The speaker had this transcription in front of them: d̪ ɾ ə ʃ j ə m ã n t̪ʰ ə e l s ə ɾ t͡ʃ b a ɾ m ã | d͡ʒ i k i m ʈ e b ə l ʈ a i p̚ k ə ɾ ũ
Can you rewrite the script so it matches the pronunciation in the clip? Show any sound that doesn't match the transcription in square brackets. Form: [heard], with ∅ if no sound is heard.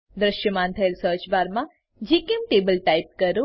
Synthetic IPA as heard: d̪ ɾ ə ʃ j ə m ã n t̪ʰ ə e l s ə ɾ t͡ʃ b a ɾ m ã | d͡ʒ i k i m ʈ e b ə l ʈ a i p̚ k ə ɾ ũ